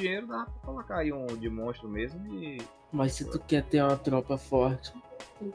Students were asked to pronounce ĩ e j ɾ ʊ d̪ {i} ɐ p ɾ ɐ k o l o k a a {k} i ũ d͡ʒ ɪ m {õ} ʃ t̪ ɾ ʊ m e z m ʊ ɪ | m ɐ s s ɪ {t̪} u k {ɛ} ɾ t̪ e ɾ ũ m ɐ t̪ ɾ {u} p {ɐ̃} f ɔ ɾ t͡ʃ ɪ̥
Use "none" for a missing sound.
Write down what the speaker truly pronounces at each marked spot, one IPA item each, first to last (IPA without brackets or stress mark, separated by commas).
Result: a, none, õ, t̪, ɛ, ɔ, ɐ